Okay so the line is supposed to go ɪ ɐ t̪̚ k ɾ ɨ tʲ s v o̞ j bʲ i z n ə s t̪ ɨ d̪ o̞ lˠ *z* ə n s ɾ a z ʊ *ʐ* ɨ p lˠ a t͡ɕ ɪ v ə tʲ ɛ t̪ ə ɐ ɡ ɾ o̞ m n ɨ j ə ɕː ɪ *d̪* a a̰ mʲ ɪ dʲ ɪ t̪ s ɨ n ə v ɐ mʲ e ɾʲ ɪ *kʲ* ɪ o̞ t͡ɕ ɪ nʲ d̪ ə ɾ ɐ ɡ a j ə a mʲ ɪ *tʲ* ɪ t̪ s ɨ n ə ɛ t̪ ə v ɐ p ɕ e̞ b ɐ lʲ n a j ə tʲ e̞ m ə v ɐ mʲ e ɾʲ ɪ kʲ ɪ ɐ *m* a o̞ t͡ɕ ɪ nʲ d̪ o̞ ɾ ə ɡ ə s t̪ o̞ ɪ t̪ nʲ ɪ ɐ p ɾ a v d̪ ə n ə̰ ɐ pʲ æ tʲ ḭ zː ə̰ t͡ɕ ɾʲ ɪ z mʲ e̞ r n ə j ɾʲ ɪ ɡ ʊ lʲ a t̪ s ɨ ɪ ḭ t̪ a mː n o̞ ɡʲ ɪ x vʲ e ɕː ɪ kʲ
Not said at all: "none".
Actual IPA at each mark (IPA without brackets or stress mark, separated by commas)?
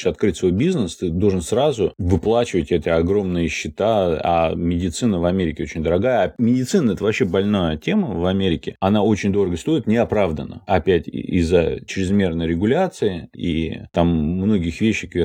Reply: ʐ, v, t̪, kʲ, dʲ, n